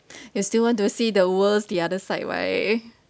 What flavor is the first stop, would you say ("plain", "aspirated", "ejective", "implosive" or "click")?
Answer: plain